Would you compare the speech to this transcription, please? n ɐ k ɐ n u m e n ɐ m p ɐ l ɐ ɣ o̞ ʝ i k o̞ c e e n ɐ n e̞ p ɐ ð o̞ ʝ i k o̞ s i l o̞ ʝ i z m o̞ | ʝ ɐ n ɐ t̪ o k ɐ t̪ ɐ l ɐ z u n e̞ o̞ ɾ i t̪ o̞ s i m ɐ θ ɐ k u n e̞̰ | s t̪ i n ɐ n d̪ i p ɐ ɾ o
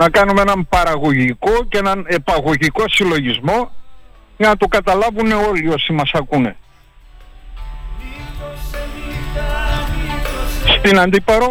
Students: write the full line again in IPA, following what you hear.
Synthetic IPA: n ɐ k ɐ n u m e n ɐ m p ɐ ɾ ɐ ɣ o̞ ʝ i k o̞ c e e n ɐ n e̞ p ɐ ɣ o̞ ʝ i k o̞ s i l o̞ ʝ i z m o̞ | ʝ ɐ n ɐ t̪ o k ɐ t̪ ɐ l ɐ v u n e̞ o̞ l i o̞ s i m ɐ s ɐ k u n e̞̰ | s t̪ i n ɐ n d̪ i p ɐ ɾ o